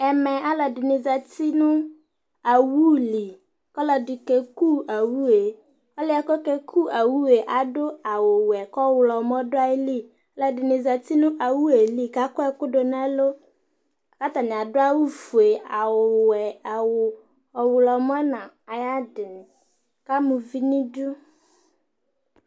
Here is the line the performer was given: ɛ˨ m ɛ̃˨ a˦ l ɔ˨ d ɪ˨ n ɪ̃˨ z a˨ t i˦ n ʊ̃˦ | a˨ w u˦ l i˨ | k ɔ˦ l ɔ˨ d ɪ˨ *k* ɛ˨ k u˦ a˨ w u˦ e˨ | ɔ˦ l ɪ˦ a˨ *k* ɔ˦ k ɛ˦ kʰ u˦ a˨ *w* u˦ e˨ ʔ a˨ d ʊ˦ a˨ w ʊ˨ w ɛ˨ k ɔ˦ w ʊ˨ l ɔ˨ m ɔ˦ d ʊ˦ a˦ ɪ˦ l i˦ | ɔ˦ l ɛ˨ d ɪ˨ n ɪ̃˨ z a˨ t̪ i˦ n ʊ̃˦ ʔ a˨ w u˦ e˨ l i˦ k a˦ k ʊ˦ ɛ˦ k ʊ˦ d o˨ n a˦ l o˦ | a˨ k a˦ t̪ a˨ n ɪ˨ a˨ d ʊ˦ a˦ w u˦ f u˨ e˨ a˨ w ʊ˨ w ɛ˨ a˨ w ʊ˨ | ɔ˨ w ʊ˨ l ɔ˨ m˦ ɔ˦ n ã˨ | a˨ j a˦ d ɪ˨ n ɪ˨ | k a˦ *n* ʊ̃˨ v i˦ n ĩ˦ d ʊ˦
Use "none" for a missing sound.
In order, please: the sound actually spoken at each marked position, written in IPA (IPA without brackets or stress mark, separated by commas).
k, k, w, m